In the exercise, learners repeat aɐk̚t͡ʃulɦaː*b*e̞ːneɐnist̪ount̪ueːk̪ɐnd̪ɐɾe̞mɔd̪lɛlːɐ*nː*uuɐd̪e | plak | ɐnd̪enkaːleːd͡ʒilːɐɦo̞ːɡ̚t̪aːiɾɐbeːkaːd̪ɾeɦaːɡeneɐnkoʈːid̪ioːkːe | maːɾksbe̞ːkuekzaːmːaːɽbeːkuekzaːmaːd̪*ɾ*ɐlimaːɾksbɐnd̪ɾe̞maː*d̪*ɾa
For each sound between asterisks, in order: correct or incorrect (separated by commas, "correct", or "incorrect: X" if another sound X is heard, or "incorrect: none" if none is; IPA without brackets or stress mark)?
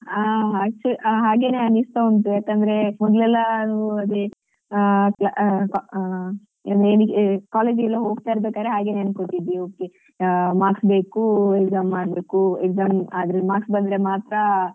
incorrect: ɡ, incorrect: n, correct, incorrect: t̪